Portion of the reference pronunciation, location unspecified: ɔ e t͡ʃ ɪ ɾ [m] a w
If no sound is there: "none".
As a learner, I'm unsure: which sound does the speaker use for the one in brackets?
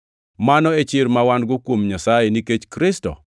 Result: m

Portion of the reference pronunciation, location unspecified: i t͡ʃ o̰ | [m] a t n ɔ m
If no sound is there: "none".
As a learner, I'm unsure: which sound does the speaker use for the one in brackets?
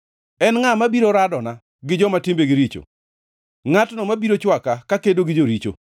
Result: ŋ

